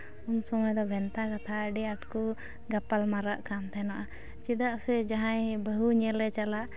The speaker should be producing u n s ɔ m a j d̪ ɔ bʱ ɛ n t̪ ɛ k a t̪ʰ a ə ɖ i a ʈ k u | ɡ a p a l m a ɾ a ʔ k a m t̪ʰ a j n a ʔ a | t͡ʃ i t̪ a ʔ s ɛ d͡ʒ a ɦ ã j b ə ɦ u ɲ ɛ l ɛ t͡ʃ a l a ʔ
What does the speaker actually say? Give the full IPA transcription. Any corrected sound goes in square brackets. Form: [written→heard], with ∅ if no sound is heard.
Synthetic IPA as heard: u n s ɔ m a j d̪ ɔ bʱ ɛ n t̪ [ɛ→a] k a t̪ʰ a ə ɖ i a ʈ k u | ɡ a p a l m a ɾ a ʔ k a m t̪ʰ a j n a ʔ a | t͡ʃ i [t̪→d̪] a ʔ s ɛ d͡ʒ a ɦ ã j b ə ɦ u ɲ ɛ l ɛ t͡ʃ a l a ʔ